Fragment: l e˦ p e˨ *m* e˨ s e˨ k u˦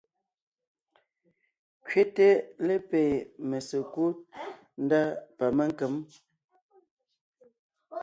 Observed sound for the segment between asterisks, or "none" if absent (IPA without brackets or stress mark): m